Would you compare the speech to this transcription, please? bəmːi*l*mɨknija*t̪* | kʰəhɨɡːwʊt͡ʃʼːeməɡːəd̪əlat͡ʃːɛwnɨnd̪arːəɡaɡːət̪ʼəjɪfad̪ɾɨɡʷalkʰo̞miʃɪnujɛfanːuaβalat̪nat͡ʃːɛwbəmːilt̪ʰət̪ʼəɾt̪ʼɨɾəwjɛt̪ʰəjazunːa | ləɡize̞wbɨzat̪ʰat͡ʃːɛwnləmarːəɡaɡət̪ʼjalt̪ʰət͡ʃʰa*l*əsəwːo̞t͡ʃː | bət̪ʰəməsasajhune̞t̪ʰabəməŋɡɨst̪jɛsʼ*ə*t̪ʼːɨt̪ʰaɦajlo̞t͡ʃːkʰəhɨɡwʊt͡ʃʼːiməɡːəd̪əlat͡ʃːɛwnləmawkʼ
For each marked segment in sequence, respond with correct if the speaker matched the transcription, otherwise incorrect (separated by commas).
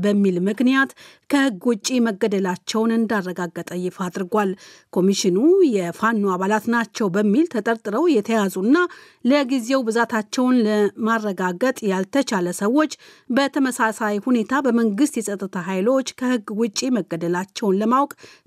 correct, correct, correct, correct